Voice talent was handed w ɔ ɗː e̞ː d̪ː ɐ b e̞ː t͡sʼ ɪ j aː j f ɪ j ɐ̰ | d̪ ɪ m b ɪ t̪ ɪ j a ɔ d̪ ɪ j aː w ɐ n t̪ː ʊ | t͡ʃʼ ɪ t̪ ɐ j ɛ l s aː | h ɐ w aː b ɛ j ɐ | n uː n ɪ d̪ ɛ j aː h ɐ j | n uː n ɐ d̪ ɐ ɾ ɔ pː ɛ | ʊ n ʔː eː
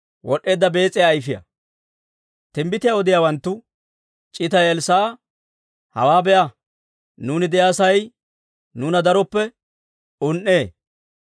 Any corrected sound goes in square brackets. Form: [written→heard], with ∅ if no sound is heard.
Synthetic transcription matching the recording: w ɔ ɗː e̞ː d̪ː ɐ b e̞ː t͡sʼ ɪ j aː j f ɪ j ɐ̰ | [d̪→t̪] ɪ m b ɪ t̪ ɪ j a ɔ d̪ ɪ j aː w ɐ n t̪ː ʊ | t͡ʃʼ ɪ t̪ ɐ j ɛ l s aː | h ɐ w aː b ɛ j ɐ | n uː n ɪ d̪ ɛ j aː [h→s] ɐ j | n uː n ɐ d̪ ɐ ɾ ɔ pː ɛ | ʊ n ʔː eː

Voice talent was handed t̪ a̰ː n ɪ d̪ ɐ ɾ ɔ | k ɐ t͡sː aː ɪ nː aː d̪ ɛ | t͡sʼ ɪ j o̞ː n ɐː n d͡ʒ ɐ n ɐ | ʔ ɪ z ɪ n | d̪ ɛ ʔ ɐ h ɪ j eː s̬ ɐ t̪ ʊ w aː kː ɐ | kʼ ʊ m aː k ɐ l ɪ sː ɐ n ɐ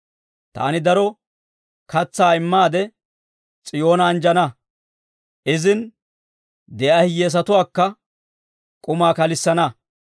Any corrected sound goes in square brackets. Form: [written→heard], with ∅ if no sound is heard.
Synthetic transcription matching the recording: t̪ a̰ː n ɪ d̪ ɐ ɾ ɔ | k ɐ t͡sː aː ɪ [nː→mː] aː d̪ ɛ | t͡sʼ ɪ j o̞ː n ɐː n d͡ʒ ɐ n ɐ | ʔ ɪ z ɪ n | d̪ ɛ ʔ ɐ h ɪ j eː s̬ ɐ t̪ ʊ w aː kː ɐ | kʼ ʊ m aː k ɐ l ɪ sː ɐ n ɐ

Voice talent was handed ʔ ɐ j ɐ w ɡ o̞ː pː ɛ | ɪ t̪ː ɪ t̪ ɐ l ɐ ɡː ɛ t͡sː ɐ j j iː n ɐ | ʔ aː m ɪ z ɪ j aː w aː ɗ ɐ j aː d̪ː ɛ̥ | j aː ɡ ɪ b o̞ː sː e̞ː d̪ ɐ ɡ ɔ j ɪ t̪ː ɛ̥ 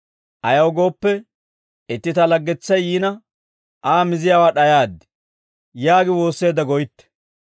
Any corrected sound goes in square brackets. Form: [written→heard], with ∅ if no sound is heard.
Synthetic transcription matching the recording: ʔ ɐ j ɐ w ɡ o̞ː pː ɛ | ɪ t̪ː ɪ t̪ ɐ l ɐ ɡː ɛ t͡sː ɐ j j iː n ɐ | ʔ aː m ɪ z ɪ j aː w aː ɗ ɐ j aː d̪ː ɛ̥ | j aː ɡ ɪ [b→w] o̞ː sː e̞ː d̪ ɐ ɡ ɔ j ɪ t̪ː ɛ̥

